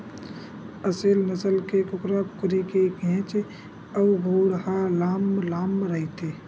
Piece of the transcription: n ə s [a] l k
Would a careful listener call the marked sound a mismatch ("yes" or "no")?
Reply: yes